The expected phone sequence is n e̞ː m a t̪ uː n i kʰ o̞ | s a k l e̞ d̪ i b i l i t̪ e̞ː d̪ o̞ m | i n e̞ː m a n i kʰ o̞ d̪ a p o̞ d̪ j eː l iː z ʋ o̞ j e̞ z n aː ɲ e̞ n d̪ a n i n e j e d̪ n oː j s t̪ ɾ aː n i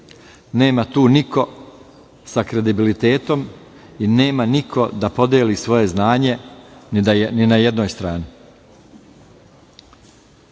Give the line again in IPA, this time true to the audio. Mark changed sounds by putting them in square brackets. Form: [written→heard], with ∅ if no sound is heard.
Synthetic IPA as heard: n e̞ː m a t̪ uː n i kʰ o̞ | s a k [l→ɾ] e̞ d̪ i b i l i t̪ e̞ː [d̪→t̪] o̞ m | i n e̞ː m a n i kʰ o̞ d̪ a p o̞ d̪ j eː l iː [z→s] ʋ o̞ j e̞ z n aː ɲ e̞ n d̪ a n i n [e→a] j e d̪ n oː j s t̪ ɾ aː n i